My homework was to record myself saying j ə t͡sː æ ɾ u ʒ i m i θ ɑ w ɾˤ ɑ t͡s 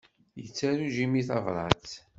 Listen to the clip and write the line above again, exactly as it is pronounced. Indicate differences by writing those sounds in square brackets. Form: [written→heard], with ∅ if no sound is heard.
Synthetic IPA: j ə t͡sː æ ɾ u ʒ i m i θ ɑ [w→v] ɾˤ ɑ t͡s